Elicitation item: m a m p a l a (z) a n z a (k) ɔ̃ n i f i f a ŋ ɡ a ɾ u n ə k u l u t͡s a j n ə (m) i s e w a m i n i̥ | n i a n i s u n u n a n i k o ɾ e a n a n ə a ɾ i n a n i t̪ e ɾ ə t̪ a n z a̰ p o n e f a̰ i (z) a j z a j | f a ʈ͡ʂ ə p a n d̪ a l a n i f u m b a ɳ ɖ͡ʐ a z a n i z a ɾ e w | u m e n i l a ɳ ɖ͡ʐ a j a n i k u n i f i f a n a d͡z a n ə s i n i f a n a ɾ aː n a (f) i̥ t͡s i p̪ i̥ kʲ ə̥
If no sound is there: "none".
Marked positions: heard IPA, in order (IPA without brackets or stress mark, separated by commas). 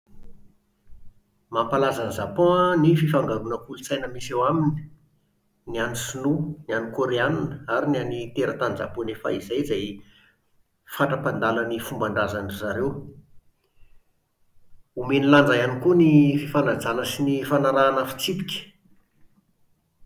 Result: z, p, m, z, f